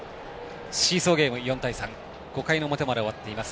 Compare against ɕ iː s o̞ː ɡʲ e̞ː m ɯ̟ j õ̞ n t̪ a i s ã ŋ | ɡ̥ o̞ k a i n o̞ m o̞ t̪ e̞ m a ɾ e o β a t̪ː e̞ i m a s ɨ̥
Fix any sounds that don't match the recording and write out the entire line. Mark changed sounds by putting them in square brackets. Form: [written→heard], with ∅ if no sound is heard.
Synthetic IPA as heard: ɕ iː s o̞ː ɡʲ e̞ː m ɯ̟ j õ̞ n t̪ a i s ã ŋ | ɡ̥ o̞ k a i n o̞ m o̞ t̪ e̞ m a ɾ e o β a t̪ː e̞ i m a s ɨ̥